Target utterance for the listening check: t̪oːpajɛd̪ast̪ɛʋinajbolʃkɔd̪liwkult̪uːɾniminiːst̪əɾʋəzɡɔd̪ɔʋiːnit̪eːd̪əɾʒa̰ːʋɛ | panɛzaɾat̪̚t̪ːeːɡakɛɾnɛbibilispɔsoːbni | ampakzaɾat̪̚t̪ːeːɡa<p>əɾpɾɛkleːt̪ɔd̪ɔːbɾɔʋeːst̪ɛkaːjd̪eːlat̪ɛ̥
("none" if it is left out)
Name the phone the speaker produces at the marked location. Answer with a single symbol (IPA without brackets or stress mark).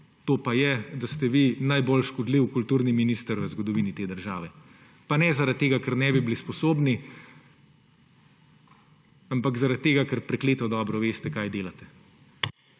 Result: k